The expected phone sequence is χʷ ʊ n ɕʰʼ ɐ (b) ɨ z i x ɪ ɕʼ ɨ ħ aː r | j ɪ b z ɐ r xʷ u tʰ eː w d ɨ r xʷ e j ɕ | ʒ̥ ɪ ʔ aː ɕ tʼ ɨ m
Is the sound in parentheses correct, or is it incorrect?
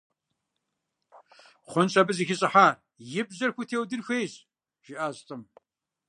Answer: correct